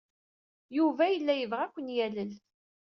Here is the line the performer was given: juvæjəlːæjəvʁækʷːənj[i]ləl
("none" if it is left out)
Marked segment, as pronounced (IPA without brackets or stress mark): æ